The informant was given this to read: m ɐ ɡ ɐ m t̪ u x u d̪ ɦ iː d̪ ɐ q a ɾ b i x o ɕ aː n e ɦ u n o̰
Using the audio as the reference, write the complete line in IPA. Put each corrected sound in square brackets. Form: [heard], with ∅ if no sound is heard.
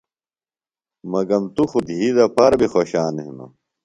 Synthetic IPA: m ɐ ɡ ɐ m t̪ u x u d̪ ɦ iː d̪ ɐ [p] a ɾ b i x o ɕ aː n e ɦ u n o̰

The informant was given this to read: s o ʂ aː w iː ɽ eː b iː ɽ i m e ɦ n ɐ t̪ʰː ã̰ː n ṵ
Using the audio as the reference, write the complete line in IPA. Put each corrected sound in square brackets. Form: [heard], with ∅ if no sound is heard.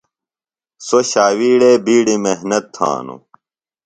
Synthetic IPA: s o [ɕ] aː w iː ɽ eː b iː ɽ i m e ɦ n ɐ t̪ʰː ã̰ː n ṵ

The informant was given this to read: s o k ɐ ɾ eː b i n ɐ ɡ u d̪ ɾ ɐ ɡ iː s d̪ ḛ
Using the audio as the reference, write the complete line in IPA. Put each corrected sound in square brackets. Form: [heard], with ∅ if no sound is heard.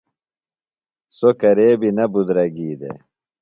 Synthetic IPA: s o k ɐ ɾ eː b i n ɐ [b] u d̪ ɾ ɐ ɡ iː [∅] d̪ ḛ

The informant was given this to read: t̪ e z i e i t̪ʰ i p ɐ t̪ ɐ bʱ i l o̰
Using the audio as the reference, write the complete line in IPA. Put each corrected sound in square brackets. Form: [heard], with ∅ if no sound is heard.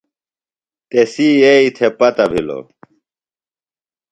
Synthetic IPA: t̪ e [s] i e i t̪ʰ [e] p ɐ t̪ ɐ bʱ i l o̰

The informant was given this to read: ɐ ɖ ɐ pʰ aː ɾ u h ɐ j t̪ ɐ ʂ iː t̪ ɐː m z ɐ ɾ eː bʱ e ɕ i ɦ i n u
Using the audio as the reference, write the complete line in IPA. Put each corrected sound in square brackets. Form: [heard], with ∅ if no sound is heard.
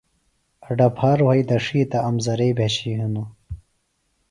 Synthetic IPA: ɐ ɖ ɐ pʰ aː ɾ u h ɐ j [d̪] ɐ ʂ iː t̪ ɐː m z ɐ ɾ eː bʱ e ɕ i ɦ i n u

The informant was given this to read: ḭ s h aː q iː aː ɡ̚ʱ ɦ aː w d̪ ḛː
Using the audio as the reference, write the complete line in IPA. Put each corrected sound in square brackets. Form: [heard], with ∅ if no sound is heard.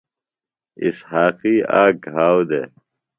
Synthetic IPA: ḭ s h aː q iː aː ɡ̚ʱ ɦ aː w d̪ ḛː

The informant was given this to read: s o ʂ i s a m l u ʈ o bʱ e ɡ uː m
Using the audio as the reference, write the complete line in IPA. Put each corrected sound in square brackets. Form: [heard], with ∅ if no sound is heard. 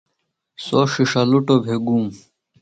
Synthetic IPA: s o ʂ i [ʂ] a [∅] l u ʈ o bʱ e ɡ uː m

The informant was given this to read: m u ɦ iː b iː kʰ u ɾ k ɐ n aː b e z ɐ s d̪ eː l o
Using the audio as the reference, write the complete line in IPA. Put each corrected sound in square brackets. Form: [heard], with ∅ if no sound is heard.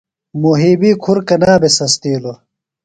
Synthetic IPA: m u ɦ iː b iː kʰ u ɾ k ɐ n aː b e [s] ɐ s [t̪] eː l o

